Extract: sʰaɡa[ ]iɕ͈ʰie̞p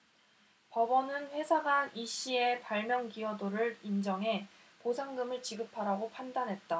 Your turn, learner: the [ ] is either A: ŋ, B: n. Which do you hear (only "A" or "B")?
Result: B